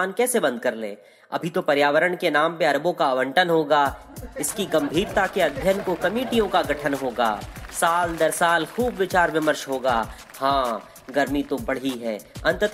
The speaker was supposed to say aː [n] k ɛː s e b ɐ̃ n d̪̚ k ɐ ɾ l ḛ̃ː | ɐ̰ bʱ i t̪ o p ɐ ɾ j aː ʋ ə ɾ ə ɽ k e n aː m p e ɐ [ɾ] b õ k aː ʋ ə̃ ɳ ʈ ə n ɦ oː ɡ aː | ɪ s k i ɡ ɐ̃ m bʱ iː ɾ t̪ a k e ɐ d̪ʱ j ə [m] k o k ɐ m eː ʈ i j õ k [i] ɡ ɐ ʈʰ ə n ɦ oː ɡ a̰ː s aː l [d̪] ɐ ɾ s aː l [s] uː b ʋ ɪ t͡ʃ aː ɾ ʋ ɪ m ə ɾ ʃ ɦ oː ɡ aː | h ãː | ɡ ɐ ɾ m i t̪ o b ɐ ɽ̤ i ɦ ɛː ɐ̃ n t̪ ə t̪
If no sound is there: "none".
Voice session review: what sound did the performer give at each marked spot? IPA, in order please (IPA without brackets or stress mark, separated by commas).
n, ɾ, n, a, d̪, x